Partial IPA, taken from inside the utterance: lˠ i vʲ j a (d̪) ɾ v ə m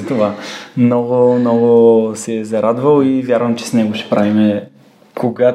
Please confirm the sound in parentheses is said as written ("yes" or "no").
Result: no